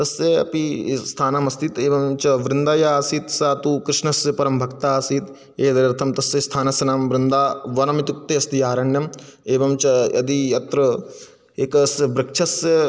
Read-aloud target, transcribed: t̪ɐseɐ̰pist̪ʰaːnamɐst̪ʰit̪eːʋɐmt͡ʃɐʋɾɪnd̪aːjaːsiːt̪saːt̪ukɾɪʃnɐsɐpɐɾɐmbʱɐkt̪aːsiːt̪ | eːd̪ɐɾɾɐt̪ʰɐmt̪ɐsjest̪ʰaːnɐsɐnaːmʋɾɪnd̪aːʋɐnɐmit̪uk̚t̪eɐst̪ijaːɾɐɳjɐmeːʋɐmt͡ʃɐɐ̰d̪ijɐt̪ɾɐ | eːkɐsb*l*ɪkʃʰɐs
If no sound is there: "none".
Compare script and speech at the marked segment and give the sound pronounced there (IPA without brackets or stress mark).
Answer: ɾ